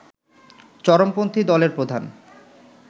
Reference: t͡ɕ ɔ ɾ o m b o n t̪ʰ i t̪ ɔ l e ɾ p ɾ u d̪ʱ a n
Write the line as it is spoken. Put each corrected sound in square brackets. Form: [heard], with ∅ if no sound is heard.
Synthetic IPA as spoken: t͡ɕ ɔ ɾ o m [p] o n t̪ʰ i [d̪] ɔ l e ɾ p ɾ [o] d̪ʱ a n